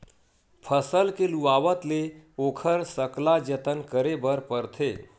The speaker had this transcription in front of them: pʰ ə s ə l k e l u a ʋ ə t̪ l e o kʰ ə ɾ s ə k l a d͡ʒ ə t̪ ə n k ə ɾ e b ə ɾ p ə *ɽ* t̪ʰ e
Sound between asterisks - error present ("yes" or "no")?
yes